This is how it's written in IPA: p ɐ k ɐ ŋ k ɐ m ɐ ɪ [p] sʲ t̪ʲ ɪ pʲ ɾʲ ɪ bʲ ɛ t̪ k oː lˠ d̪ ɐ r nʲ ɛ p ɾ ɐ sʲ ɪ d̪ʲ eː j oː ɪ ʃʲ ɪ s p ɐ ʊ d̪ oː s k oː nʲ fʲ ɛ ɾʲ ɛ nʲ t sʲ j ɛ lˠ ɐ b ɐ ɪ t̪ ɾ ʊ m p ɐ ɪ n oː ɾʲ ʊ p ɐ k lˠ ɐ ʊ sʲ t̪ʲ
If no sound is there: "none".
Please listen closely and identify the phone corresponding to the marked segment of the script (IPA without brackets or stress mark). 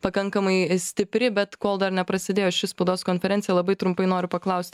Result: none